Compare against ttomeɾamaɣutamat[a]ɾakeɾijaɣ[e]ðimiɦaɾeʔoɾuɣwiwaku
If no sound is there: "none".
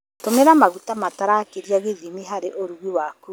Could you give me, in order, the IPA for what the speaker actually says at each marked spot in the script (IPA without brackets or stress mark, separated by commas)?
a, e